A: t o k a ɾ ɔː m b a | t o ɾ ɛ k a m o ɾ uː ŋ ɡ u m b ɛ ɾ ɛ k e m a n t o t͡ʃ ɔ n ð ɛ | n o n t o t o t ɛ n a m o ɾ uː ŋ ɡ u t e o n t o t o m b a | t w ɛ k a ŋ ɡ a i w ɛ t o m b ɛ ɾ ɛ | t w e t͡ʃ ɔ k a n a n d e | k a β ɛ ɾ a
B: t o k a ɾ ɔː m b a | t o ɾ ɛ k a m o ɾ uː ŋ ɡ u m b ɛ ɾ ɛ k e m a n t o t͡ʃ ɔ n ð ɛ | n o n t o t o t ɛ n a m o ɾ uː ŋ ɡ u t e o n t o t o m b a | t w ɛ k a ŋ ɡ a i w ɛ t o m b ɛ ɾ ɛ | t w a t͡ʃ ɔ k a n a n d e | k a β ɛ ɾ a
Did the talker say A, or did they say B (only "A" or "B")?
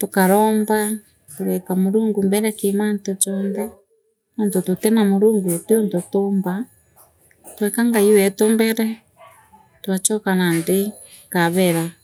B